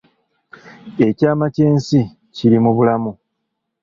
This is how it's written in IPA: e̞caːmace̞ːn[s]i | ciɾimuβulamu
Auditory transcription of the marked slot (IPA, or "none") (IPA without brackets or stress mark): s